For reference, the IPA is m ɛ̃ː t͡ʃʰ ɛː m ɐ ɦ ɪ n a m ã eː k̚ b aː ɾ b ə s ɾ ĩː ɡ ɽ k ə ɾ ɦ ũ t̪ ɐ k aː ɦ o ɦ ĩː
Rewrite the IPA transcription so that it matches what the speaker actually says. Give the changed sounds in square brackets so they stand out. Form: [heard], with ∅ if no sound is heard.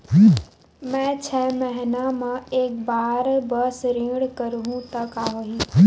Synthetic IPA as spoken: m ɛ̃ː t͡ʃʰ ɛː m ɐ ɦ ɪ n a m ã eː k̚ b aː ɾ b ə s ɾ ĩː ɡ ɽ k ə ɾ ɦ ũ t̪ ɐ k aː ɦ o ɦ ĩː